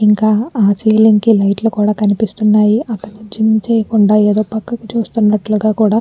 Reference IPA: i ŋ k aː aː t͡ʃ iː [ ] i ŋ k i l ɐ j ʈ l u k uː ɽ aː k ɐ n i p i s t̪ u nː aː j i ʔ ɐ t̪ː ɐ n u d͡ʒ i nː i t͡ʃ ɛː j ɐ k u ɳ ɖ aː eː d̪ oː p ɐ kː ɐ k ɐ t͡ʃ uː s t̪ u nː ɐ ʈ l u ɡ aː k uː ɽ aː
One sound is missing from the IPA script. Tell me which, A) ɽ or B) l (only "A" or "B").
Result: B